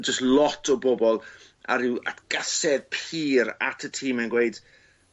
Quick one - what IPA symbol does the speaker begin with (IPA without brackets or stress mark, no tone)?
d͡ʒ